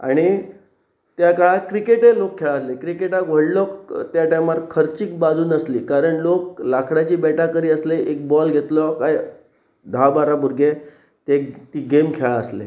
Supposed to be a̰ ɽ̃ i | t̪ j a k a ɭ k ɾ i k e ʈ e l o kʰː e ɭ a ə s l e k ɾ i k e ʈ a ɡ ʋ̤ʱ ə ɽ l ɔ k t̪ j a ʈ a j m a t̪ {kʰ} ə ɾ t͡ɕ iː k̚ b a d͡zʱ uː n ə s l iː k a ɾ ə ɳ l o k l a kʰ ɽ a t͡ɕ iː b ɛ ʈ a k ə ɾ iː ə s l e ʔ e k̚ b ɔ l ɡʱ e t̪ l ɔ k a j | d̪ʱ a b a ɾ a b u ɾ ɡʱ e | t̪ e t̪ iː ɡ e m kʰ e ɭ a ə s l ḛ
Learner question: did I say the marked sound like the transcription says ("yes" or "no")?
yes